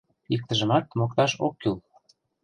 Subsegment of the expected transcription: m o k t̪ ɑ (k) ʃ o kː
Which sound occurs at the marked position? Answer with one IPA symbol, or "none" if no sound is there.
none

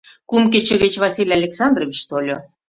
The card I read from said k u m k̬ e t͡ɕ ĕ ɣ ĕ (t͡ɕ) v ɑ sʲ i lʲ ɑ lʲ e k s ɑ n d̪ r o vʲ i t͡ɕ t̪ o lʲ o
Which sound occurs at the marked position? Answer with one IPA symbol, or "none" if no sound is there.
t͡ɕ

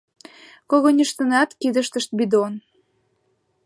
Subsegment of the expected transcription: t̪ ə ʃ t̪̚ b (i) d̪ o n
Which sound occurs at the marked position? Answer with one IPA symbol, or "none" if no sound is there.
i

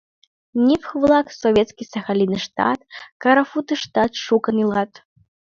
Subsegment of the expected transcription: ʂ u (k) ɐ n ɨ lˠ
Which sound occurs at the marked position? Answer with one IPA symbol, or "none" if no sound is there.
k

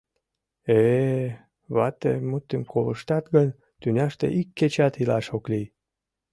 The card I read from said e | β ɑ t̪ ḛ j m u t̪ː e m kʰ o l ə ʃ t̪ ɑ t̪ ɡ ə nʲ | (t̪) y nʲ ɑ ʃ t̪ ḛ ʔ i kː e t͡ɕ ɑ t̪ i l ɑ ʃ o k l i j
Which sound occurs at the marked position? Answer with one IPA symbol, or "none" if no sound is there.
t̪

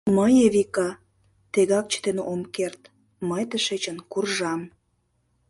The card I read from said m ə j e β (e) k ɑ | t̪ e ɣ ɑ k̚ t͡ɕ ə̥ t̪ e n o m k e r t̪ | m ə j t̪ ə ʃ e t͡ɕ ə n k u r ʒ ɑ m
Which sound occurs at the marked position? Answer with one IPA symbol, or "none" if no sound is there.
i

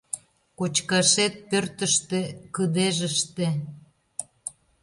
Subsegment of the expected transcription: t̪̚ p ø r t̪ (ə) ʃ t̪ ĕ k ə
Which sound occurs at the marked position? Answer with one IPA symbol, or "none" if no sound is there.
ə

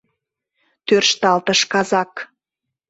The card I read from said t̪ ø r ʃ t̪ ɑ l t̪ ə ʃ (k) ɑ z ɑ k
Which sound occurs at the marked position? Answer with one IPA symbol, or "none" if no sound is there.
k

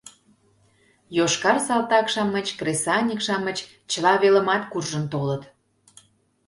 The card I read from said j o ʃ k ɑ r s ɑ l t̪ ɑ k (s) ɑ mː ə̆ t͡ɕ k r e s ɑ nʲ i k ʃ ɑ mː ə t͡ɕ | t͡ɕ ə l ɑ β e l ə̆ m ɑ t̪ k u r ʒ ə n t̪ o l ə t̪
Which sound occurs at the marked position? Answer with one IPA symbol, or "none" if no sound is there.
ʃ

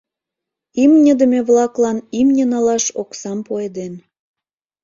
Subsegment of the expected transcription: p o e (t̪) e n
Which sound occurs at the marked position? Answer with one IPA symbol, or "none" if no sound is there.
d̪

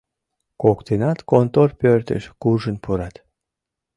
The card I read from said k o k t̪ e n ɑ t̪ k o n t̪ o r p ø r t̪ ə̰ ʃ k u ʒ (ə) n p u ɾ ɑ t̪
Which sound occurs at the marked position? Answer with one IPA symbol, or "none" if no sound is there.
ə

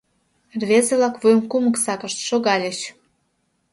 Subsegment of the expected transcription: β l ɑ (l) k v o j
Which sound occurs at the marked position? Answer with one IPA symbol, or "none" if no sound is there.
none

